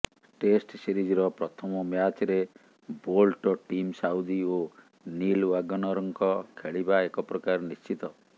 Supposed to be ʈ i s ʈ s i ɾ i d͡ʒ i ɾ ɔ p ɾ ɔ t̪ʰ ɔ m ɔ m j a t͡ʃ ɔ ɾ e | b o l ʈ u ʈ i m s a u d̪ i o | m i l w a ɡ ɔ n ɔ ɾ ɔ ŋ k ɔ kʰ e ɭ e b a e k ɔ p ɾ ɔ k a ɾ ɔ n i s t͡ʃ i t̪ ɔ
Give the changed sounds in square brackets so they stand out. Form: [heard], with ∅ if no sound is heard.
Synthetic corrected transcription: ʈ [e] s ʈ s i ɾ i d͡ʒ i ɾ ɔ p ɾ ɔ t̪ʰ ɔ m ɔ m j a t͡ʃ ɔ ɾ e | b o l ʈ [ɔ] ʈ i m s a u d̪ i o | [n] i l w a ɡ ɔ n ɔ ɾ ɔ ŋ k ɔ kʰ e ɭ [i] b a e k ɔ p ɾ ɔ k a ɾ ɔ n i s t͡ʃ i t̪ ɔ

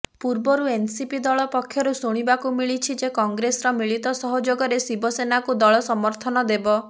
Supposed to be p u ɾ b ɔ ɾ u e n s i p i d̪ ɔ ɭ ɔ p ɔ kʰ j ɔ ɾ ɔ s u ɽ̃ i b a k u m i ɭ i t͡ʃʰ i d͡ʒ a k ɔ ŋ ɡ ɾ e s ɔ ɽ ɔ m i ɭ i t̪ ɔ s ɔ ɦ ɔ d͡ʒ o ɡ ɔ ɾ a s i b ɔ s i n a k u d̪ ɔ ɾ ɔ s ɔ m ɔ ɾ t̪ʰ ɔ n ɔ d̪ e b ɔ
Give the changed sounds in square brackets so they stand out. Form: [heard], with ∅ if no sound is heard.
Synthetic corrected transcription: p u ɾ b ɔ ɾ u e n s i p i d̪ ɔ ɭ ɔ p ɔ kʰ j ɔ ɾ [u] s u ɽ̃ i b a k u m i ɭ i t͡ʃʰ i d͡ʒ [e] k ɔ ŋ ɡ ɾ e s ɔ [ɾ] ɔ m i ɭ i t̪ ɔ s ɔ ɦ ɔ d͡ʒ o ɡ ɔ ɾ [e] s i b ɔ s [e] n a k u d̪ ɔ [ɭ] ɔ s ɔ m ɔ ɾ t̪ʰ ɔ n ɔ d̪ e b ɔ

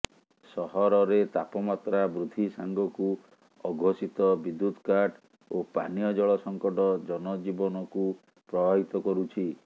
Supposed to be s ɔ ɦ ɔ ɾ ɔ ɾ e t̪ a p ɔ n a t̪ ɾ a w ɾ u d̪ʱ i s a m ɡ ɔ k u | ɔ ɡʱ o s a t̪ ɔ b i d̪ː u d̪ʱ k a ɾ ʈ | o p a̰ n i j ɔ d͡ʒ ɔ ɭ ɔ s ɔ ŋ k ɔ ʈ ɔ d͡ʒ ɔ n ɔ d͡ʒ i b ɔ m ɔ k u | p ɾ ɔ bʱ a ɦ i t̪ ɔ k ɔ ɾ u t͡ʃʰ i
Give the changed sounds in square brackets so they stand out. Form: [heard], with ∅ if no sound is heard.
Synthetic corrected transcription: s ɔ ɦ ɔ ɾ ɔ ɾ e t̪ a p ɔ [m] a t̪ ɾ a [b] ɾ u d̪ʱ i s a [ŋ] ɡ ɔ k u | ɔ ɡʱ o s [i] t̪ ɔ b i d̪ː u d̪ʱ k a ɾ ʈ | o p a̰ n i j ɔ d͡ʒ ɔ ɭ ɔ s ɔ ŋ k ɔ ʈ ɔ d͡ʒ ɔ n ɔ d͡ʒ i b ɔ [n] ɔ k u | p ɾ ɔ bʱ a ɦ i t̪ ɔ k ɔ ɾ u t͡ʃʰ i

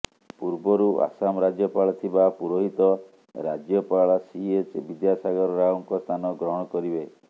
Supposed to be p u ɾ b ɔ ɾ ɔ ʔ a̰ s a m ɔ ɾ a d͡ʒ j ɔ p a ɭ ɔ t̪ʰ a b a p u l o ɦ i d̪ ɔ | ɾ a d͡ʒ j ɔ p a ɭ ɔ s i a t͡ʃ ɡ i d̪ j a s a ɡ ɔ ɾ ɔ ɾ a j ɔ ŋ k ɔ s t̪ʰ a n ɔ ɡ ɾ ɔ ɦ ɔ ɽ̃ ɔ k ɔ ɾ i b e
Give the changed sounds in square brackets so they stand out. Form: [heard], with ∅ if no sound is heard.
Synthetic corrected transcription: p u ɾ b ɔ ɾ [u] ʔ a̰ s a m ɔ ɾ a d͡ʒ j ɔ p a ɭ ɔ t̪ʰ [i] b a p u [ɾ] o ɦ i [t̪] ɔ | ɾ a d͡ʒ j ɔ p a ɭ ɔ s i [e] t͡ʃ [b] i d̪ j a s a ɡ ɔ ɾ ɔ ɾ a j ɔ ŋ k ɔ s t̪ʰ a n ɔ ɡ ɾ ɔ ɦ ɔ ɽ̃ ɔ k ɔ ɾ i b e

